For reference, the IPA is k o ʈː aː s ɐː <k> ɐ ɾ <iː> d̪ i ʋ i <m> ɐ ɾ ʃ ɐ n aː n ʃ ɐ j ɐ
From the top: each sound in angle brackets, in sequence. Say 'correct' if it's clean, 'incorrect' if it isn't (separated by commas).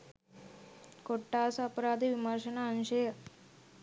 incorrect, incorrect, correct